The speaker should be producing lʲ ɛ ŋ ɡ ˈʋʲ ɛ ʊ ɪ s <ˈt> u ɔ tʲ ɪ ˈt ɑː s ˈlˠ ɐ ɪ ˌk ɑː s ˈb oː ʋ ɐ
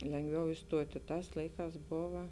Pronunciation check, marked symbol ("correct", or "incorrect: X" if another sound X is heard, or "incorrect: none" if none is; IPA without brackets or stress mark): correct